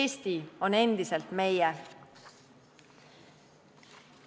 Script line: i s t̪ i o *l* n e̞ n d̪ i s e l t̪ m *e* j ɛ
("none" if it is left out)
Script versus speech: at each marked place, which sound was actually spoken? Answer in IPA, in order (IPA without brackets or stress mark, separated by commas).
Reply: none, e